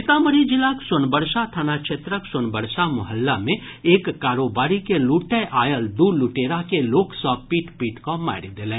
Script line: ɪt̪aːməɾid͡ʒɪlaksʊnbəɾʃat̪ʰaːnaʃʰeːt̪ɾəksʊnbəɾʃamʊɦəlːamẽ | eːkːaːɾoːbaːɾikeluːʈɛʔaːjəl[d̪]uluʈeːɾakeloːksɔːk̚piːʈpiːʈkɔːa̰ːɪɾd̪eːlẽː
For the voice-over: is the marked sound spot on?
yes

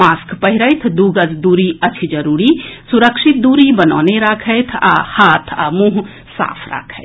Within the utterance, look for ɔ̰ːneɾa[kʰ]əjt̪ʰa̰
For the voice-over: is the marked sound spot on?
yes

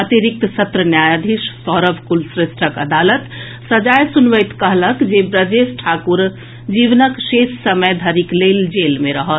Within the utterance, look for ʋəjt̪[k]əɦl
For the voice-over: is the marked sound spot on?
yes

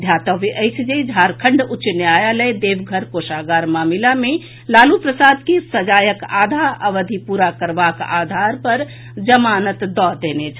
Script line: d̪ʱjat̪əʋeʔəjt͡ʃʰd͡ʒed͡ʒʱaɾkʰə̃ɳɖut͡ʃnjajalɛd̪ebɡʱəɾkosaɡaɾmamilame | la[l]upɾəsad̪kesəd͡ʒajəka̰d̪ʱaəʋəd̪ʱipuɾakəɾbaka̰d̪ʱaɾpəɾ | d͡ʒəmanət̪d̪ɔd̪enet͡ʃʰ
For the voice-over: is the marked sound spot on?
yes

